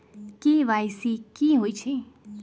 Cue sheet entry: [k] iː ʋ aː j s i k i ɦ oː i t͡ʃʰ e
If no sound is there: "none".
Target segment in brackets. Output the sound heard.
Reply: k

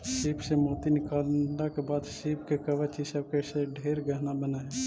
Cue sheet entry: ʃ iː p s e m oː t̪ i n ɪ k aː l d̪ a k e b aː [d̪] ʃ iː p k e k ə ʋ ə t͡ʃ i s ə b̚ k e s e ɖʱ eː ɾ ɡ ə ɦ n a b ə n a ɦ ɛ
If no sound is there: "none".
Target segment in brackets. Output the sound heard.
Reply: d̪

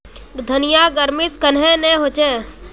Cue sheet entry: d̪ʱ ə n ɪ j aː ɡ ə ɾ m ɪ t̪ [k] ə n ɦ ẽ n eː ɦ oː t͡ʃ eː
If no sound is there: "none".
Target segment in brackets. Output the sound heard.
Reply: k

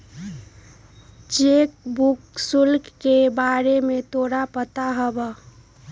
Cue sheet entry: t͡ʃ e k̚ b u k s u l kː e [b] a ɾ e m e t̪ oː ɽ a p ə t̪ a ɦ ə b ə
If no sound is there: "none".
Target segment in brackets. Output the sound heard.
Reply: b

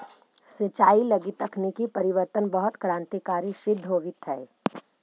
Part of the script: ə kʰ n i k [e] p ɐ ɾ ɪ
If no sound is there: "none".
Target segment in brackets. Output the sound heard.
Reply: i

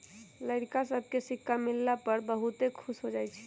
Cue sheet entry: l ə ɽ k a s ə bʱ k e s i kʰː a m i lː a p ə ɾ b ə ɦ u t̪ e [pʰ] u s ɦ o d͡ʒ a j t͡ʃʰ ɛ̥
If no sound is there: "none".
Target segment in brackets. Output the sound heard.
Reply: kʰ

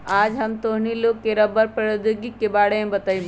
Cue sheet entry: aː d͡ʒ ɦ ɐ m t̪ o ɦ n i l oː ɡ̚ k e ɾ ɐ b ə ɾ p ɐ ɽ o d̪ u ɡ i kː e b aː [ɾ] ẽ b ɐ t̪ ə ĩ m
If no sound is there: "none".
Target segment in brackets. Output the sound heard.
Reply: ɽ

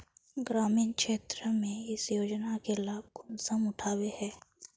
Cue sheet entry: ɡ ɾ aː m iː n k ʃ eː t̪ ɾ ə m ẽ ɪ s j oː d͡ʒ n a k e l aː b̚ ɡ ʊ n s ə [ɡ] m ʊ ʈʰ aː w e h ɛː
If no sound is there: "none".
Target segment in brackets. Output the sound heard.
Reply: none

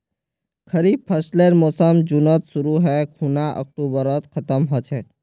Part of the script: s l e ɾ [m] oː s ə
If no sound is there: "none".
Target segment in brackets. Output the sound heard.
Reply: m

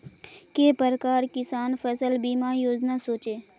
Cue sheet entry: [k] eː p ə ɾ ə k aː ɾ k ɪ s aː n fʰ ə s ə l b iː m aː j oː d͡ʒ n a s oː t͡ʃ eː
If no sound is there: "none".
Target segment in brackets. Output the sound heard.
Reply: k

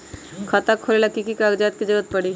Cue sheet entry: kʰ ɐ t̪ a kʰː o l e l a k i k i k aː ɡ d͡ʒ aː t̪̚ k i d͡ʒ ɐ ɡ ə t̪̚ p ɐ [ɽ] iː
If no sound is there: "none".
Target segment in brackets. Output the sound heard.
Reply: ɽ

